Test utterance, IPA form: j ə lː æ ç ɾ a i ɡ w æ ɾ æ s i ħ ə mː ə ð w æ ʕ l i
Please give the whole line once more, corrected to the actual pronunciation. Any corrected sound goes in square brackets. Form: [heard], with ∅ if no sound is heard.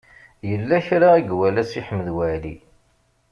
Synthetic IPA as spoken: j ə lː æ ç ɾ a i ɡ w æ [l] æ s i ħ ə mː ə ð w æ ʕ l i